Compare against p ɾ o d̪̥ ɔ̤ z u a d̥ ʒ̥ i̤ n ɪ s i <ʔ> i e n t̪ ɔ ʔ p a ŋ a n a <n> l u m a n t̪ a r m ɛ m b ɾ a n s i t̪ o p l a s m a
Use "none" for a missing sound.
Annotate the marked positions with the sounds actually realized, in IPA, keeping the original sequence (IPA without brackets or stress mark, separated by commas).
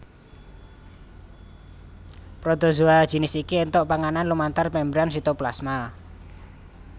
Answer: k, n